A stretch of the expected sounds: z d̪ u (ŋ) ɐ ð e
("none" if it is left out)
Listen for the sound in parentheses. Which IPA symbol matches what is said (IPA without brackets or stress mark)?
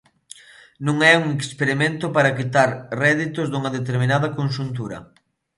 ŋ